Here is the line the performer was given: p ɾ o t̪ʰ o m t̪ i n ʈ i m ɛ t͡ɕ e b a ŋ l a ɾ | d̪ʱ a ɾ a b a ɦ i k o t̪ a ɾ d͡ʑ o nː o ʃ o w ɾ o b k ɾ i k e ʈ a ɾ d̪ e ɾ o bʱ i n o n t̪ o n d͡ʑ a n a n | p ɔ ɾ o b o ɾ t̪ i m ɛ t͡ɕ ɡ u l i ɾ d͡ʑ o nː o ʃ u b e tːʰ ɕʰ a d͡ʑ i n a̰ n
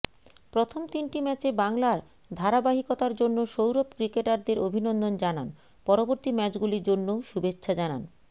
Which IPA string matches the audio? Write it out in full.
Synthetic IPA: p ɾ o t̪ʰ o m t̪ i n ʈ i m ɛ t͡ɕ e b a ŋ l a ɾ | d̪ʱ a ɾ a b a ɦ i k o t̪ a ɾ d͡ʑ o nː o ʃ o w ɾ o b k ɾ i k e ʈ a ɾ d̪ e ɾ o bʱ i n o n d̪ o n d͡ʑ a n a n | p ɔ ɾ o b o ɾ t̪ i m ɛ t͡ɕ ɡ u l i ɾ d͡ʑ o nː o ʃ u b e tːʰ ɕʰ a d͡ʑ a n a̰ n